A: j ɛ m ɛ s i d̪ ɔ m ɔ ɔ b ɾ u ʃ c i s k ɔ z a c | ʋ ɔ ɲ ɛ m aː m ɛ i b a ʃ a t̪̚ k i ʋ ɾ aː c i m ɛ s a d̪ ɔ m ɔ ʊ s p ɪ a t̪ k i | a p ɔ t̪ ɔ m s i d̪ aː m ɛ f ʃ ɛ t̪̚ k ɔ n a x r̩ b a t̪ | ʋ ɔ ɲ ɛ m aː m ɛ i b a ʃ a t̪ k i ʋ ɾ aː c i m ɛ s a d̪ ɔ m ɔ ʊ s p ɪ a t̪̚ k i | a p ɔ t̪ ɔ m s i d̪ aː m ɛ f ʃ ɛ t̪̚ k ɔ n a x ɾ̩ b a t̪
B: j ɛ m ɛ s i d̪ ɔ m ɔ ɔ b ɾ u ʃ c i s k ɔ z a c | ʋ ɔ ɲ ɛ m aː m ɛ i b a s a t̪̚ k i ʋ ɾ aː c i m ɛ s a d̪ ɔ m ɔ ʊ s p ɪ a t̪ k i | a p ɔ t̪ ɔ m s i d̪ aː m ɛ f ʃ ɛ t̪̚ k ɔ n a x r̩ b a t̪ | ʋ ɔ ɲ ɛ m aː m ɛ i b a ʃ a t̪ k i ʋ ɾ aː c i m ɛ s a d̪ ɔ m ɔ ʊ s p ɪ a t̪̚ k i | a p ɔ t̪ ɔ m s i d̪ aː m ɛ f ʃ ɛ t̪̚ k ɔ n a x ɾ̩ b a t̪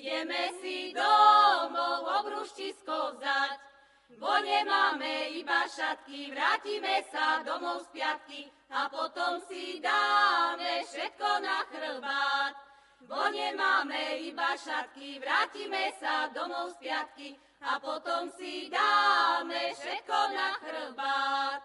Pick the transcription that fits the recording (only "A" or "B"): A